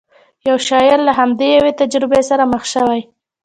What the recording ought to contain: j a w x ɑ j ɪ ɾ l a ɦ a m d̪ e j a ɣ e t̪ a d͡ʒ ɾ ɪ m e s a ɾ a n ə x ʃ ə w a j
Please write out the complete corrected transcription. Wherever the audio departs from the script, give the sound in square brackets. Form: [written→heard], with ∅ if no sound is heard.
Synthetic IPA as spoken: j a w [x→ʃ] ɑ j ɪ ɾ l a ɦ a m d̪ e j a [ɣ→w] e t̪ a d͡ʒ ɾ ɪ [m→b] e s a ɾ a [n→m] ə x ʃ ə w a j